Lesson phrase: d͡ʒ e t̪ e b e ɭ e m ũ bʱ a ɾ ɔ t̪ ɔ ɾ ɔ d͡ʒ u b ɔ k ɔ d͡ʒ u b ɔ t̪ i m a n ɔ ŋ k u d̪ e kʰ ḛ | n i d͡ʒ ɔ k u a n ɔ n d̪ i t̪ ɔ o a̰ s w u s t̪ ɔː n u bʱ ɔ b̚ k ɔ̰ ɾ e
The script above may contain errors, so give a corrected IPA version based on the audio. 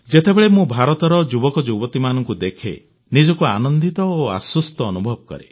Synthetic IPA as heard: d͡ʒ e t̪ e b e ɭ e m ũ bʱ a ɾ ɔ t̪ ɔ ɾ ɔ d͡ʒ u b ɔ k ɔ d͡ʒ u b ɔ t̪ i m a n ɔ ŋ k u d̪ e kʰ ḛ | n i d͡ʒ ɔ k u a n ɔ n d̪ i t̪ ɔ o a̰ s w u s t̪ ɔː n u bʱ ɔ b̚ k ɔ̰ ɾ e